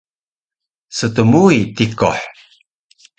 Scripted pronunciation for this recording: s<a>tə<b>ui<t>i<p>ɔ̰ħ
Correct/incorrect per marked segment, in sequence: incorrect: ə, incorrect: m, correct, incorrect: k

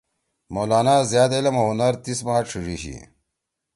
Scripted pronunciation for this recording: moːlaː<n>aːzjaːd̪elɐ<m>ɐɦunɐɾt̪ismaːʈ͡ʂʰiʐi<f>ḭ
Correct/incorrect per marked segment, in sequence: correct, correct, incorrect: ɕ

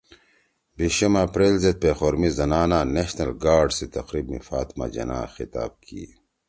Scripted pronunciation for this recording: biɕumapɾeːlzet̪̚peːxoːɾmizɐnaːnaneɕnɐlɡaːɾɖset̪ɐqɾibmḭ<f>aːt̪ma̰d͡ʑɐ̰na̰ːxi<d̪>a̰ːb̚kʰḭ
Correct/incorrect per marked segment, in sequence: correct, incorrect: t̪

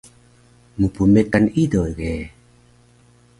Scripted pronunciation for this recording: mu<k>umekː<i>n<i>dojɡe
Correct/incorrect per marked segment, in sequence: incorrect: p, incorrect: a, correct

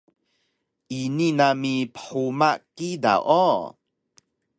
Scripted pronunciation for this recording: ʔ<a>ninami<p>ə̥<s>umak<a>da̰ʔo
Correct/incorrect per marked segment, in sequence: incorrect: i, correct, incorrect: ħ, incorrect: i

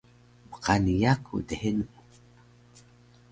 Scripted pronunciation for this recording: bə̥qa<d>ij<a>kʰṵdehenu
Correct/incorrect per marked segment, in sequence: incorrect: n, correct

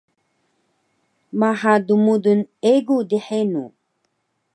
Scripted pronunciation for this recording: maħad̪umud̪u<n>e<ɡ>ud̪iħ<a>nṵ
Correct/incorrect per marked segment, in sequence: correct, correct, incorrect: e

